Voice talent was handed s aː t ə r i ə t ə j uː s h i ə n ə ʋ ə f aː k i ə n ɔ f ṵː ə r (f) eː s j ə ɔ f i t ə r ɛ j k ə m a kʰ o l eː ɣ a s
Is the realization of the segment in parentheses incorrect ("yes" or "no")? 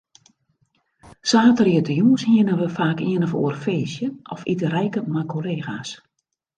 no